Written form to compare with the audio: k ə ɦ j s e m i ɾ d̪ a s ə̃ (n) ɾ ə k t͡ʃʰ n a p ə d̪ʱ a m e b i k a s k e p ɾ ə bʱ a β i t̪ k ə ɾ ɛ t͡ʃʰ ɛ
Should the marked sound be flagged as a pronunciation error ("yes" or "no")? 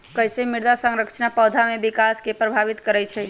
yes